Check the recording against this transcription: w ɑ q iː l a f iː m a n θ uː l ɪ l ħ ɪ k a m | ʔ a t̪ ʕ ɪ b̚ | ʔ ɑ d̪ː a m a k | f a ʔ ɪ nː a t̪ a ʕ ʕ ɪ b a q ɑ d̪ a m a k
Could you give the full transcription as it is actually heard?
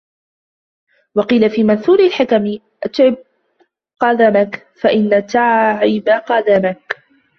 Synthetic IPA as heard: w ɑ q iː l a f iː m a n θ uː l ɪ l ħ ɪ k a m | ʔ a t̪ ʕ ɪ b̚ | q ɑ d̪ a m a k | f a ʔ ɪ nː a t̪ a ʕ ʕ ɪ b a q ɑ d̪ a m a k